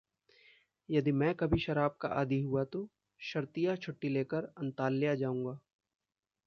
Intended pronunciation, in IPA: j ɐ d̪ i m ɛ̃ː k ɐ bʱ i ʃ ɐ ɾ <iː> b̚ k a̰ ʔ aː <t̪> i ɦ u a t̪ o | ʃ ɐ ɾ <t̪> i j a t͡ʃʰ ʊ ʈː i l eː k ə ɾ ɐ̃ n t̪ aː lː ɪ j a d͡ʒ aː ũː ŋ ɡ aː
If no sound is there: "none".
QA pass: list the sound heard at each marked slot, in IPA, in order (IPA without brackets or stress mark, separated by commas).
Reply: aː, d̪, t̪